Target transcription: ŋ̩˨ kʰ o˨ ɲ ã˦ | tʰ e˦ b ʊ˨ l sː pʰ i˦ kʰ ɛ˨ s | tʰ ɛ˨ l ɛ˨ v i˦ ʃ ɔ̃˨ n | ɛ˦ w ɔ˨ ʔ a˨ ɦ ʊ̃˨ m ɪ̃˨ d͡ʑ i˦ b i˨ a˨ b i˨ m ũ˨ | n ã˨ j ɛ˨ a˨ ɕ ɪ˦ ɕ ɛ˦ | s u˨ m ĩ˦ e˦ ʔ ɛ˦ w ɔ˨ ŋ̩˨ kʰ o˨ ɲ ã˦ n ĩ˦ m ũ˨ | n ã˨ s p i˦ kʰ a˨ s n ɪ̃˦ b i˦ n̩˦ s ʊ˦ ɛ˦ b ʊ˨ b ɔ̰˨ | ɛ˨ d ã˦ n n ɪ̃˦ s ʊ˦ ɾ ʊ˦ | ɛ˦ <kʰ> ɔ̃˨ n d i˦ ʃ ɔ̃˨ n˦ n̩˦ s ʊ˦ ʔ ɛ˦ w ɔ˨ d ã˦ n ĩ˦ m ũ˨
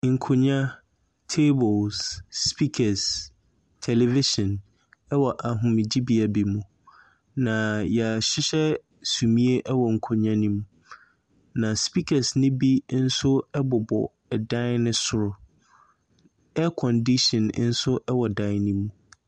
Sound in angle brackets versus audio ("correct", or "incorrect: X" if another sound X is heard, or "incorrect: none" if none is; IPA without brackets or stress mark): correct